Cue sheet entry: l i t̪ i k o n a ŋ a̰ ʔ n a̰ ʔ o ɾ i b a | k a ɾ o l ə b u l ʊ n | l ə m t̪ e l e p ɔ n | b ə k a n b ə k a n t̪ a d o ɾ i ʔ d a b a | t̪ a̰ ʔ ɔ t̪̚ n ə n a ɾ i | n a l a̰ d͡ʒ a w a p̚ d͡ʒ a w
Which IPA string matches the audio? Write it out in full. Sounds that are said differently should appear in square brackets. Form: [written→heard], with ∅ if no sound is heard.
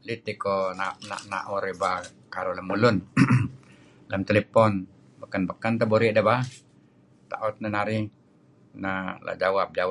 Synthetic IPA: l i t̪ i k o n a [ŋ→n] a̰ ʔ n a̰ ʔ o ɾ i b a | k a ɾ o l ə [b→m] u l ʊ n | l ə m t̪ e l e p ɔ n | b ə k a n b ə k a n t̪ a [d→b] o ɾ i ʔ d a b a | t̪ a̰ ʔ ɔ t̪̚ n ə n a ɾ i | n a l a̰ d͡ʒ a w a p̚ d͡ʒ a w